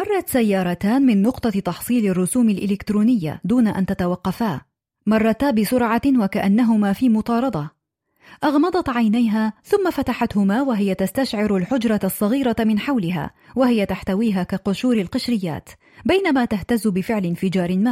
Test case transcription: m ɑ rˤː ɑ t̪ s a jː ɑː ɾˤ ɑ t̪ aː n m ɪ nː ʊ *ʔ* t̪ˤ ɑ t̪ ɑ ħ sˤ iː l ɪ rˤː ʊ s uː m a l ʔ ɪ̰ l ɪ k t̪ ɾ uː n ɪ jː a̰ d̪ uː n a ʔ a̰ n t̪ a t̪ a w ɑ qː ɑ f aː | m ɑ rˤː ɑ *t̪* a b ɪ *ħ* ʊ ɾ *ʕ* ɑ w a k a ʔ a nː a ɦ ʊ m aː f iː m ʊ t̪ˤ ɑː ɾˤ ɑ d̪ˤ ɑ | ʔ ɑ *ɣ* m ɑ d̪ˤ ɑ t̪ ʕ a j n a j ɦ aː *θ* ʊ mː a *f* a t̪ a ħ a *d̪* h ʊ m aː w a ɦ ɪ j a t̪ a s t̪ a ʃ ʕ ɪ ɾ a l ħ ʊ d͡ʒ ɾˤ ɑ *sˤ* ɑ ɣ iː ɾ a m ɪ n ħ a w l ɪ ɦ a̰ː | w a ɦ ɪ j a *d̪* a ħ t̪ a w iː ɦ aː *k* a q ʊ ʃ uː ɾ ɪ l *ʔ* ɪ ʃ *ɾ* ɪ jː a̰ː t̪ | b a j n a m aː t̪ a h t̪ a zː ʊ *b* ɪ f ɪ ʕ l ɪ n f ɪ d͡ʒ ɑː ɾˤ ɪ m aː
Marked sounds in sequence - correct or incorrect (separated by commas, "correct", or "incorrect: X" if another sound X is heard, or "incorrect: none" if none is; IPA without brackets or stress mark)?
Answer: incorrect: q, correct, incorrect: s, correct, correct, correct, correct, incorrect: t̪, incorrect: sˤː, incorrect: t̪, correct, incorrect: q, correct, correct